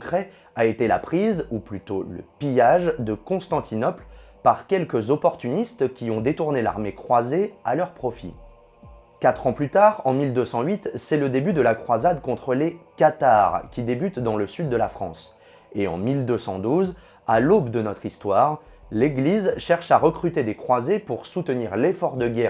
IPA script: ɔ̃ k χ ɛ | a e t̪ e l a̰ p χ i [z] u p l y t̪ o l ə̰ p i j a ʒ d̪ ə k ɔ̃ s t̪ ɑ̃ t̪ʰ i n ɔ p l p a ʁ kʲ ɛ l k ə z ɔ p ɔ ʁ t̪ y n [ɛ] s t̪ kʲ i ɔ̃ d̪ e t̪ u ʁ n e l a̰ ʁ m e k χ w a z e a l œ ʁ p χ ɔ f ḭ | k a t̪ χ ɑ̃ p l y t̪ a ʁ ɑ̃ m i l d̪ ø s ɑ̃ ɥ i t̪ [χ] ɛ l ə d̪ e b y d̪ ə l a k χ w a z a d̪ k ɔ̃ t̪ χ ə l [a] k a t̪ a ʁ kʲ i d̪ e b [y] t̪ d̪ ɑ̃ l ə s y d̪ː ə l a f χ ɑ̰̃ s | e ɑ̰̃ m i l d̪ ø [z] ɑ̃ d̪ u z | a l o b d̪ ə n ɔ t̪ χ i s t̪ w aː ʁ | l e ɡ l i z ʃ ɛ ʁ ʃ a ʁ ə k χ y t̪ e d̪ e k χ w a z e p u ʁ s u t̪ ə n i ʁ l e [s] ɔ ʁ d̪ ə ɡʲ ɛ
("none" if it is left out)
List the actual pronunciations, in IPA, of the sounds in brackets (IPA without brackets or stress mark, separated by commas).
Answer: z, i, s, e, y, s, f